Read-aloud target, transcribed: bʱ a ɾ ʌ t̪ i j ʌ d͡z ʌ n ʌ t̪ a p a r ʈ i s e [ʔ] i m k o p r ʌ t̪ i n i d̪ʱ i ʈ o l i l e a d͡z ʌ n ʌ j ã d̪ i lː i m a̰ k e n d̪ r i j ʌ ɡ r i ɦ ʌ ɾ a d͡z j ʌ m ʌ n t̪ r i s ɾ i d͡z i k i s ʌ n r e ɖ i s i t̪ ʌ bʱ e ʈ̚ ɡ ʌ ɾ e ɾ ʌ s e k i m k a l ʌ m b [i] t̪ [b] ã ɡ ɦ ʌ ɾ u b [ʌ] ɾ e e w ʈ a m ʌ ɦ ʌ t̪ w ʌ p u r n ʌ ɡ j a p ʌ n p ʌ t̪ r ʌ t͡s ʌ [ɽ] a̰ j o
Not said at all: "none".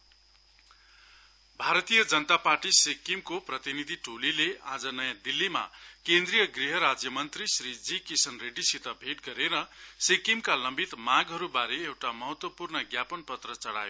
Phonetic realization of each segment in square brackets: k, i, m, a, ɽ

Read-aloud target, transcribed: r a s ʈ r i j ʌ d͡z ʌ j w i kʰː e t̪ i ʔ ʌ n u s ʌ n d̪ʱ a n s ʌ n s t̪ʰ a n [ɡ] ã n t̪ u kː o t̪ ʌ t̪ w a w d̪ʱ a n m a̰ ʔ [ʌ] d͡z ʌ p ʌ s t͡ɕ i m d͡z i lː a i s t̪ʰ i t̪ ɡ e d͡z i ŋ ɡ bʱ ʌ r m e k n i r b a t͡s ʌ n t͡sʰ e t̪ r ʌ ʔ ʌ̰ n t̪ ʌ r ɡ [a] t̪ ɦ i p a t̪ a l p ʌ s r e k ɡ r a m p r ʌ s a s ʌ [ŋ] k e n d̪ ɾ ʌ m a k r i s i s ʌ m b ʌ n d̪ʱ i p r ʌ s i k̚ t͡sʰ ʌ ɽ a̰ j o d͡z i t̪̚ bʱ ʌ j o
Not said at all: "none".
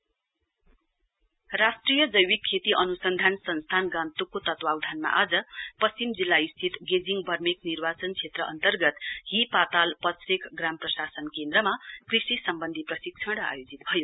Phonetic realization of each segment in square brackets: ɡ, a, ʌ, n

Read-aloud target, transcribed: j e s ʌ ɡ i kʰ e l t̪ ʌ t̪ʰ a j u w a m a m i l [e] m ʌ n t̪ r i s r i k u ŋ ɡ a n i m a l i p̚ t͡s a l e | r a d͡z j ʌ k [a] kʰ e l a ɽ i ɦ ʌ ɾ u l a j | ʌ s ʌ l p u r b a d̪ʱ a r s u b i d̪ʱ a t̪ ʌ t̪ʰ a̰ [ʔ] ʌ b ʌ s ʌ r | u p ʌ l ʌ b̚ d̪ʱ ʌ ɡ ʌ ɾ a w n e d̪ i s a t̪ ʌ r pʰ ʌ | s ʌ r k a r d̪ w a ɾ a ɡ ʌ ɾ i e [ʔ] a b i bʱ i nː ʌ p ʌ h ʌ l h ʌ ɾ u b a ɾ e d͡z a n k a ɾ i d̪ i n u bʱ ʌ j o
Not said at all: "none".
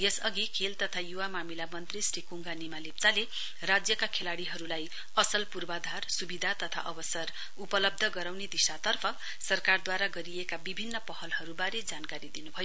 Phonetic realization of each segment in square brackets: a, a, ʔ, k

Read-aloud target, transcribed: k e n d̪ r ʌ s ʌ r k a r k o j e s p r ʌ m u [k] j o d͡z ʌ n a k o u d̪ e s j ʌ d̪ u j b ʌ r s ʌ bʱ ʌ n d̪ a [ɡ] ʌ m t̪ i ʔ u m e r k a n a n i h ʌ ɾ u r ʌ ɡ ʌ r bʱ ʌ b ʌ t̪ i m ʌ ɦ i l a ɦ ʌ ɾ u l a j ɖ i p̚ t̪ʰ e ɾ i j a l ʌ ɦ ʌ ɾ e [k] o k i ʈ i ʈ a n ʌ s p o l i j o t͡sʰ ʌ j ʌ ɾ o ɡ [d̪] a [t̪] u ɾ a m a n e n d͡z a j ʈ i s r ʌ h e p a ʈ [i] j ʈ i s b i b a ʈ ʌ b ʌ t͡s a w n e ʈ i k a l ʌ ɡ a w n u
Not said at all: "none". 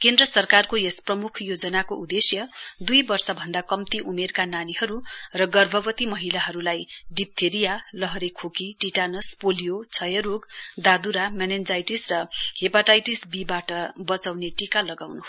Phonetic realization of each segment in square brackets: kʰ, k, kʰ, d̪, d̪, a

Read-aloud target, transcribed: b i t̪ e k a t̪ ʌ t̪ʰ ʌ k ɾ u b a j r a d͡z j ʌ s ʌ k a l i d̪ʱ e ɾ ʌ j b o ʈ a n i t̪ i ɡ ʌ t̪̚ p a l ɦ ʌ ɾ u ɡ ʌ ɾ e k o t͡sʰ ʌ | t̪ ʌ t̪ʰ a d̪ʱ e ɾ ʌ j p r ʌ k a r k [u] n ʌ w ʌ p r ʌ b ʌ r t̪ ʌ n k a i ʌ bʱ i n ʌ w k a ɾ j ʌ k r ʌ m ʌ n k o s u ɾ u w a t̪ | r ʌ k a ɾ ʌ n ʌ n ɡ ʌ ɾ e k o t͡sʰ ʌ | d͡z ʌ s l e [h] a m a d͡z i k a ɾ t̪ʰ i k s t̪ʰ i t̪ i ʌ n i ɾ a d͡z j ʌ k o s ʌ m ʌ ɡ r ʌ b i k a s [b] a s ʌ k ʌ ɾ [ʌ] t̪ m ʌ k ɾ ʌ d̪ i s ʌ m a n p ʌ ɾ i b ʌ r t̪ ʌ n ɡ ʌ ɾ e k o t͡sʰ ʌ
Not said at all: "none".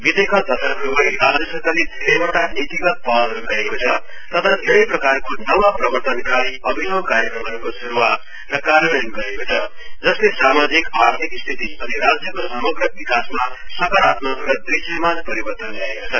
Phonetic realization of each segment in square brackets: o, s, m, a

